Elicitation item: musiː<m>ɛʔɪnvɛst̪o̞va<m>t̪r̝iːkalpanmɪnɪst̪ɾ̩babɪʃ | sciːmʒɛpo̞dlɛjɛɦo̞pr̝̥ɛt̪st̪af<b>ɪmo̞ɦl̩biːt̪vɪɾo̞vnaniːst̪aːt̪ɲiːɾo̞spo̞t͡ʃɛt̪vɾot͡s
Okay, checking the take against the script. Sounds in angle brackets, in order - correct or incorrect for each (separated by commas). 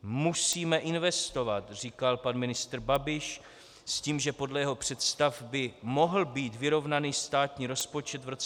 correct, incorrect, correct